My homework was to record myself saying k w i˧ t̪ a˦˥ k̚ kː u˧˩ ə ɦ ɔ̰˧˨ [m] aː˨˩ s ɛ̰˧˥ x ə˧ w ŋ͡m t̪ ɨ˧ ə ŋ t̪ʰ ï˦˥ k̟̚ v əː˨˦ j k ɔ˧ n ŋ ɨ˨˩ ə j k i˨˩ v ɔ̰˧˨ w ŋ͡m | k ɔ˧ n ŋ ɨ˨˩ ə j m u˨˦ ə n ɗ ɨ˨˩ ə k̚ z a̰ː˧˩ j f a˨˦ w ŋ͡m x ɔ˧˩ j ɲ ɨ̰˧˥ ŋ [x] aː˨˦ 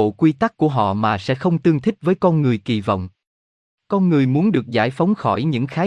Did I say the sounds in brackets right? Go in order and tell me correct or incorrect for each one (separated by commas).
correct, correct